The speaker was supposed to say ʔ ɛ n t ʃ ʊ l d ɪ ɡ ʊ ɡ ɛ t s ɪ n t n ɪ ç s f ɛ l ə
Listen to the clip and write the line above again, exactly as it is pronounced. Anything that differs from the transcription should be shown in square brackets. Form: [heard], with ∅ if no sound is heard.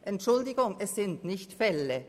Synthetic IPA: ʔ ɛ n t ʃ ʊ l d ɪ ɡ ʊ [ŋ] ɛ [s] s ɪ n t n ɪ ç [t] f ɛ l ə